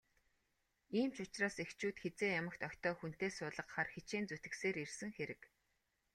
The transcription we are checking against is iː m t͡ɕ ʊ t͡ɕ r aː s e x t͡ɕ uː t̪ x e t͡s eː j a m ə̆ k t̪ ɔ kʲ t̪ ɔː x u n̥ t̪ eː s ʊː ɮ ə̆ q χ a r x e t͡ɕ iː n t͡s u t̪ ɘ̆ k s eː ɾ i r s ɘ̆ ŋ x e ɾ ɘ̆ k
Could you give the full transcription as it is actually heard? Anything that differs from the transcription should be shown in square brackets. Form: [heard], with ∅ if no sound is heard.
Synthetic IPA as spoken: iː m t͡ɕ ʊ t͡ɕ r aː s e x t͡ɕ uː t̪ x e t͡s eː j a m ə̆ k t̪ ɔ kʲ t̪ ɔː x u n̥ t̪ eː s ʊː ɮ ə̆ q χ a r x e t͡ɕ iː n t͡s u t̪ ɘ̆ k s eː ɾ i r s ɘ̆ ŋ x e ɾ ɘ̆ k